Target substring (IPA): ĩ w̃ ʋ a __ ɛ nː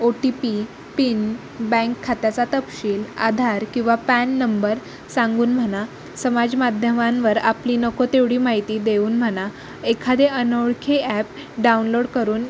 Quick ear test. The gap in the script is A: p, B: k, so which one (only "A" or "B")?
A